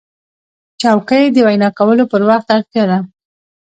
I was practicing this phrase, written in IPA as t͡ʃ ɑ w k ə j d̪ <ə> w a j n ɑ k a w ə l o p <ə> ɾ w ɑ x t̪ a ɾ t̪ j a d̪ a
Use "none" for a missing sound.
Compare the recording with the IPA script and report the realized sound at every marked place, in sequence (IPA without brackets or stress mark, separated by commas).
ə, ə